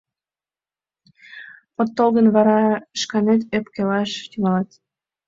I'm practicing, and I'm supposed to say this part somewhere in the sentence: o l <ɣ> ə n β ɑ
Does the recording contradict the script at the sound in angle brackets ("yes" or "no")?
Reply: no